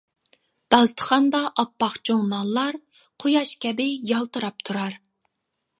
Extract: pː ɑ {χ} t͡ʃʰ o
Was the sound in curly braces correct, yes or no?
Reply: yes